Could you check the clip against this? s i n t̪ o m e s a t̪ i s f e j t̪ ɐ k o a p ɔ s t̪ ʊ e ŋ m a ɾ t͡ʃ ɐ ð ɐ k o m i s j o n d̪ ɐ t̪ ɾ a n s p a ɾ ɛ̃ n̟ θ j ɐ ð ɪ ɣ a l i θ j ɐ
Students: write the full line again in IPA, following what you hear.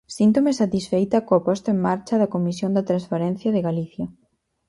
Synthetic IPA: s i n t̪ o m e s a t̪ i s f e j t̪ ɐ k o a p ɔ s t̪ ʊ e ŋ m a ɾ t͡ʃ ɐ ð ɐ k o m i s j o n d̪ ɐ t̪ ɾ a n s p a ɾ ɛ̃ n̟ θ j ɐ ð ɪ ɣ a l i θ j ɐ